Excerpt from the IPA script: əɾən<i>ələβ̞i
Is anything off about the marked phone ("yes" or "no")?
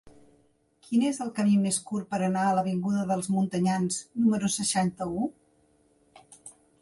yes